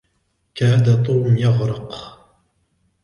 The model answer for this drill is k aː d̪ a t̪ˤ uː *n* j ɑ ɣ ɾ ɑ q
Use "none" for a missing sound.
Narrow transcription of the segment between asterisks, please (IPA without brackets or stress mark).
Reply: m